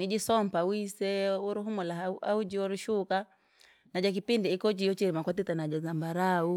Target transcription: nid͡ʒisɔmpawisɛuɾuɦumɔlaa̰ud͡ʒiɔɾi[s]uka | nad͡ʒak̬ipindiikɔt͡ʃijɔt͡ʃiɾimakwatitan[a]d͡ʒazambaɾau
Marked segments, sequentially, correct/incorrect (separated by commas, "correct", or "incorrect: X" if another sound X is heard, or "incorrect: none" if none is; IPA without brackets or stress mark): incorrect: ʃ, correct